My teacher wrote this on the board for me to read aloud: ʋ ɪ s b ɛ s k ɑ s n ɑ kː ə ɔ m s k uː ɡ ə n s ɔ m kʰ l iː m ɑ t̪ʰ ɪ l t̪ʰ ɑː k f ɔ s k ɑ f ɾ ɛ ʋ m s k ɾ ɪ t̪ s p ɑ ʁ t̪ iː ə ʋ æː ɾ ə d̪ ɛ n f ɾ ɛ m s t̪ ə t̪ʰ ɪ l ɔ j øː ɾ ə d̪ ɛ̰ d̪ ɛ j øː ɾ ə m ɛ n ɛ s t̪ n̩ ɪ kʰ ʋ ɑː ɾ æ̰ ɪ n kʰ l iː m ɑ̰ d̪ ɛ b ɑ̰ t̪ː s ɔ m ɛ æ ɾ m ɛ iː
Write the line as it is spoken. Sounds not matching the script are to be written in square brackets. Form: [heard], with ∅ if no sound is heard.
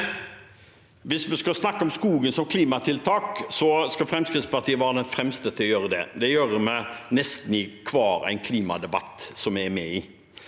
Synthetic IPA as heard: ʋ ɪ s [m] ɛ s k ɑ s n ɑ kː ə ɔ m s k uː ɡ ə n s ɔ m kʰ l iː m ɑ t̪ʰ ɪ l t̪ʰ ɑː k [s] ɔ s k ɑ f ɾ ɛ [∅] m s k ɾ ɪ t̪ s p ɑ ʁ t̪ iː ə ʋ æː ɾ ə d̪ ɛ n f ɾ ɛ m s t̪ ə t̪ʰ ɪ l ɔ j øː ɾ ə d̪ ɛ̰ d̪ ɛ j øː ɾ ə m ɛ n ɛ s t̪ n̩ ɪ kʰ ʋ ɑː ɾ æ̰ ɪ n kʰ l iː m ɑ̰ d̪ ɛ b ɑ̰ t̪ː s ɔ m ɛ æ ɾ m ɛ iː